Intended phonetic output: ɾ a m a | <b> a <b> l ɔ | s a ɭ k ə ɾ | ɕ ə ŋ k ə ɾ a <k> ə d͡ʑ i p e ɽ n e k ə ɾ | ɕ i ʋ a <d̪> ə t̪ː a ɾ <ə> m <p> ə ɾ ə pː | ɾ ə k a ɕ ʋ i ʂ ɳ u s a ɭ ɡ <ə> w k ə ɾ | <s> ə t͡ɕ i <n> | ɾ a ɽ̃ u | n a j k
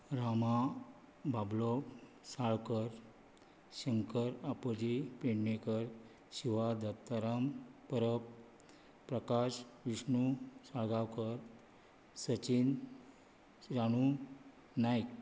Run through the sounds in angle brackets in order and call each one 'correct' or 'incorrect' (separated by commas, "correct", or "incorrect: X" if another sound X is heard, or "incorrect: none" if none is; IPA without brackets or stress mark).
correct, correct, incorrect: p, correct, incorrect: a, correct, incorrect: a, correct, correct